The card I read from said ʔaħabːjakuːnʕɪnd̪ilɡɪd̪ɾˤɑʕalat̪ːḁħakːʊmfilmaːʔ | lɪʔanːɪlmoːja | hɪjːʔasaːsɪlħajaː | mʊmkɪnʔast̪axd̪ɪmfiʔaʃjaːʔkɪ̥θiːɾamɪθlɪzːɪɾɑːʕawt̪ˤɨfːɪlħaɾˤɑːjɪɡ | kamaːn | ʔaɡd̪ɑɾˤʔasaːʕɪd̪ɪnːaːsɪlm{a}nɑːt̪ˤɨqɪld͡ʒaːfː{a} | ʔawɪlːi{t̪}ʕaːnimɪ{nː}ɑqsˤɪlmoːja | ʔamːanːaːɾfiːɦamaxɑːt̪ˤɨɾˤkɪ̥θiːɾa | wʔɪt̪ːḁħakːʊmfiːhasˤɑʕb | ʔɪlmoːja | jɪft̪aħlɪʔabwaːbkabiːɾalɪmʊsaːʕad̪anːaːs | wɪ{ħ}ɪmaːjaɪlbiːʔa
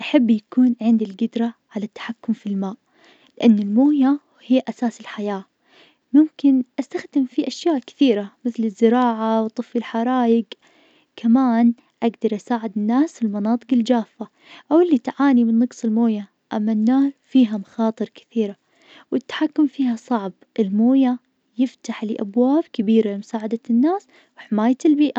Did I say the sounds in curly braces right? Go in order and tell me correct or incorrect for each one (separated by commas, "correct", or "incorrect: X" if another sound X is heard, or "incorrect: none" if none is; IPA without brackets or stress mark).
incorrect: ɑ, correct, correct, correct, correct